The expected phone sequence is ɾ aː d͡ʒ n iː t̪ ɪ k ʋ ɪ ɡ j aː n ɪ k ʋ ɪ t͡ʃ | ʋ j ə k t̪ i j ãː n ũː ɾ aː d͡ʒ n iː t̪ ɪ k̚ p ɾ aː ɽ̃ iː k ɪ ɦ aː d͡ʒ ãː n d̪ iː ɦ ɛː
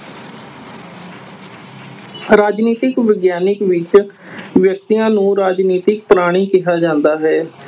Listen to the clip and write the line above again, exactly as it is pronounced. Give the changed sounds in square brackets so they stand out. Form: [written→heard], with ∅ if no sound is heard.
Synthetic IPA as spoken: ɾ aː d͡ʒ n iː t̪ ɪ k ʋ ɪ ɡ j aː n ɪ k ʋ ɪ t͡ʃ | ʋ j ə k t̪ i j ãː n ũː ɾ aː d͡ʒ n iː t̪ ɪ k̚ p ɾ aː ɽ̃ iː k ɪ ɦ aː d͡ʒ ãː n d̪ [iː→aː] ɦ ɛː